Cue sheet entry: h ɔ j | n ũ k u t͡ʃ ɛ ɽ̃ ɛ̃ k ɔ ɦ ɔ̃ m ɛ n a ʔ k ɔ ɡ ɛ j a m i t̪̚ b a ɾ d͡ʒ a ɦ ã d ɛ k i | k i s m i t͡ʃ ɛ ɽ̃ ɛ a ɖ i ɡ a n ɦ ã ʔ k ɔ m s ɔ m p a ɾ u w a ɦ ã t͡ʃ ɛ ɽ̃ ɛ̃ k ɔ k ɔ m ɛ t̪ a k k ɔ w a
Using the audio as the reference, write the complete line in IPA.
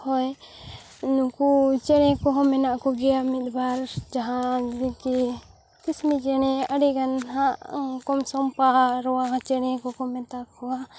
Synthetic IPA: h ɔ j | n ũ k u t͡ʃ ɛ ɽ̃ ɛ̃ k ɔ ɦ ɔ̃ m ɛ n a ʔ k ɔ ɡ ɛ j a m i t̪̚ b a ɾ d͡ʒ a ɦ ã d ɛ k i | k i s m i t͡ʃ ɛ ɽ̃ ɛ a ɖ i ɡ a n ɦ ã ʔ k ɔ m s ɔ m p a ɾ ɔ w a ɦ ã t͡ʃ ɛ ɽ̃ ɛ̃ k ɔ k ɔ m ɛ t̪ a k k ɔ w a